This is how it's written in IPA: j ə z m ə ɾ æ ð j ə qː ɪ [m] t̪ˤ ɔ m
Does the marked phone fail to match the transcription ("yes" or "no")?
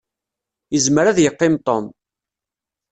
no